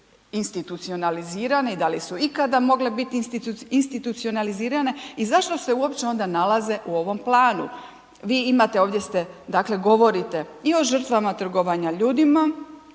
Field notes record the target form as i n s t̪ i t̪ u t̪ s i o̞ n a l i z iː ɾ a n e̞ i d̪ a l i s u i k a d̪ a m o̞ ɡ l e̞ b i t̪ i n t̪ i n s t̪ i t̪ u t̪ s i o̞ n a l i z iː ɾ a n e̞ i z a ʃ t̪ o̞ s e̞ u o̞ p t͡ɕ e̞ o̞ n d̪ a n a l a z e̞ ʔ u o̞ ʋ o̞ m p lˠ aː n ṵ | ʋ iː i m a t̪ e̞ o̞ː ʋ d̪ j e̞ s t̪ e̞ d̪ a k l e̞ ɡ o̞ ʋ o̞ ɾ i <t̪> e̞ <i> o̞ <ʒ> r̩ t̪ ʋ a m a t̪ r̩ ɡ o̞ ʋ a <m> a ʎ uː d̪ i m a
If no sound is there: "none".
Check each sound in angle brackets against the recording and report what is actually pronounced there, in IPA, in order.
t̪, i, ʒ, ɲ

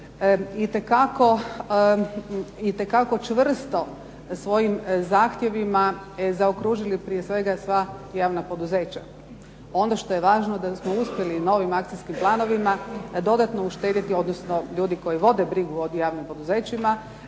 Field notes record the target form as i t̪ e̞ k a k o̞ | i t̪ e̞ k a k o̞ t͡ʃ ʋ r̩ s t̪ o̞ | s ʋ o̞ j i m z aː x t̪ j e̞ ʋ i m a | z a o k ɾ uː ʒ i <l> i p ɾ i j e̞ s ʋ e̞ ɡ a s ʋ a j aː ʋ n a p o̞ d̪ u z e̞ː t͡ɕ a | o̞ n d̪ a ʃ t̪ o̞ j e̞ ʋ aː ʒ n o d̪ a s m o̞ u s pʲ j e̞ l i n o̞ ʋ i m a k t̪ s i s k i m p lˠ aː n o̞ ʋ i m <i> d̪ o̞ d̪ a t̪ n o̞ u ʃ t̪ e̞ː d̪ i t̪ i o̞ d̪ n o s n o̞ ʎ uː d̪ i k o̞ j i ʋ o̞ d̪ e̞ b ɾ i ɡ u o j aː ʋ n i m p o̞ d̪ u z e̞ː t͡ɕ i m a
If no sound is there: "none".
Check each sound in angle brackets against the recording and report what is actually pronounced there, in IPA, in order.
l, a

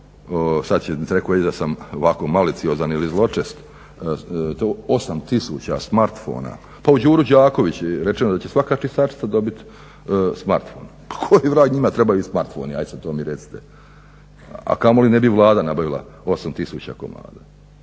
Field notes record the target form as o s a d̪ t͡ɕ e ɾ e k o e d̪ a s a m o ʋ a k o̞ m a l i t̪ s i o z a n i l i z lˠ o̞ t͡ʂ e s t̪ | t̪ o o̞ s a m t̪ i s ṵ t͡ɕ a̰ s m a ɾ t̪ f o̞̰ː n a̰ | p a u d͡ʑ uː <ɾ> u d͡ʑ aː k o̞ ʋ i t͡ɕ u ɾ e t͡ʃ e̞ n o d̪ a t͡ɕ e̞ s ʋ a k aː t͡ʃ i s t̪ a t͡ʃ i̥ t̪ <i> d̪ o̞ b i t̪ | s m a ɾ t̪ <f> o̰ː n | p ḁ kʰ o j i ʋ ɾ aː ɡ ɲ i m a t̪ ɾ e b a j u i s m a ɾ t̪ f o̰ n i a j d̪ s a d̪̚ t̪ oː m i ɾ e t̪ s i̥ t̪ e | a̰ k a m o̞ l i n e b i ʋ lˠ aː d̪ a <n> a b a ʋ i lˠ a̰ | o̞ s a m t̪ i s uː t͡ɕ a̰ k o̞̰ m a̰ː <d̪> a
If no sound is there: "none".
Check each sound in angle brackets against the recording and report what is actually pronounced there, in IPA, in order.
ɾ, a, f, n, d̪

